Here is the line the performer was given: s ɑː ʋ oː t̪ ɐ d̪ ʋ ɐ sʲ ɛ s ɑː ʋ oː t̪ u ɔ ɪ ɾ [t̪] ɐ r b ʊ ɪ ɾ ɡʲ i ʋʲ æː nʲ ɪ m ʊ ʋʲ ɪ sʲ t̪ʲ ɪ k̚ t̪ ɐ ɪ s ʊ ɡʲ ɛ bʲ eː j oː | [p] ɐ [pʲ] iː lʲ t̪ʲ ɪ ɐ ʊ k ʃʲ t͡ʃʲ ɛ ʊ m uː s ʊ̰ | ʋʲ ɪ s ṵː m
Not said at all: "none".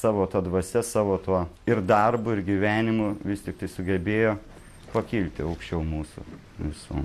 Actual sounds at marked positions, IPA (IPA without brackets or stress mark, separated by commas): d̪, p, kʲ